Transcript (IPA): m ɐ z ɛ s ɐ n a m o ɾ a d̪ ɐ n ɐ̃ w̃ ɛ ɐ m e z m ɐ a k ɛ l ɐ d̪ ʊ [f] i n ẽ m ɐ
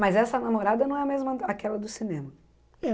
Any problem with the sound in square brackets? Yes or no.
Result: yes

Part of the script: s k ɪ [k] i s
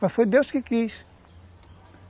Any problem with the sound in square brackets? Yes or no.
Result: no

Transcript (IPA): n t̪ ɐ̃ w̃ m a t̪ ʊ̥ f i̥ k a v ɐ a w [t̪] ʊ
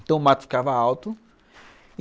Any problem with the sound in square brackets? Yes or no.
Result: no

